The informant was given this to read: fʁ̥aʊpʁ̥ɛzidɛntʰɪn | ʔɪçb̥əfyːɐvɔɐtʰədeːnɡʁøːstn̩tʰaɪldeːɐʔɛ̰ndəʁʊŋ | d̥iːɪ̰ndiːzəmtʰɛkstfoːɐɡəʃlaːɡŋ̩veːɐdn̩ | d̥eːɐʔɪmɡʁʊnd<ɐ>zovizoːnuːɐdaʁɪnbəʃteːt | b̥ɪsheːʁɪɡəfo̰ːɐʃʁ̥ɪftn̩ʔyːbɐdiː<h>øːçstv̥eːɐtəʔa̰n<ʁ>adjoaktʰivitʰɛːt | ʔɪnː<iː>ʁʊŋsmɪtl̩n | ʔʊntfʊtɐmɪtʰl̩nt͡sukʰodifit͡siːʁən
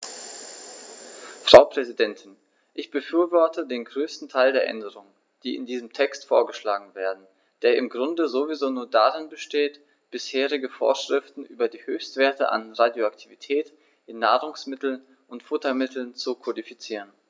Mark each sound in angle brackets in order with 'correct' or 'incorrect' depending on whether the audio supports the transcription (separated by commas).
incorrect, correct, correct, incorrect